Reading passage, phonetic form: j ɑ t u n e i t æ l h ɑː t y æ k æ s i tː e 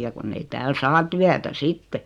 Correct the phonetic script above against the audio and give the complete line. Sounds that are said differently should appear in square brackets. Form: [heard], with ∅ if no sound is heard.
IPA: j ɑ [k] u [nː] e i t [æː] l [s] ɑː t y æ [t] æ s i tː e